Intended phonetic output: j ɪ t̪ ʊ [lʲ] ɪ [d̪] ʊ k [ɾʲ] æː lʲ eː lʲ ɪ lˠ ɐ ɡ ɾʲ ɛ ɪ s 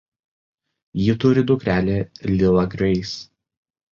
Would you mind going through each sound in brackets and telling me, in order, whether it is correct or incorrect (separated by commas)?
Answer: incorrect, correct, correct